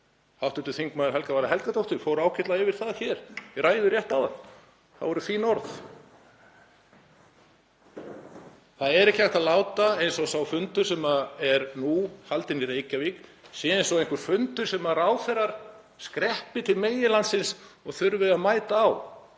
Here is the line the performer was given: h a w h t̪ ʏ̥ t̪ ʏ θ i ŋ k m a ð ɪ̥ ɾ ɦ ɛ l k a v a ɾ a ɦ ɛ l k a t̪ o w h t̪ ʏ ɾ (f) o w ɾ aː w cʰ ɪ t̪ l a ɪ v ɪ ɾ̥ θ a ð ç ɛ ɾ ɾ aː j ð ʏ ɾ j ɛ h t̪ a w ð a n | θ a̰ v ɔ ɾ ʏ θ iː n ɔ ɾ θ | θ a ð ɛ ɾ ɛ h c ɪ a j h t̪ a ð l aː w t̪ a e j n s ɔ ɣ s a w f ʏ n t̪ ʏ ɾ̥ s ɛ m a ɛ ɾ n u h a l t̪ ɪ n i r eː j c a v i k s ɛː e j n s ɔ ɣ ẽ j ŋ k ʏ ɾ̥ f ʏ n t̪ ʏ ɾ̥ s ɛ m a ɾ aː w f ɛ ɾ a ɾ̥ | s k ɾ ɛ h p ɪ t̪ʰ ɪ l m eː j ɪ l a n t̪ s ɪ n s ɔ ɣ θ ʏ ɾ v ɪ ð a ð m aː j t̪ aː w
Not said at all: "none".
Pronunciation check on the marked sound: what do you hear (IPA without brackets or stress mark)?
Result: f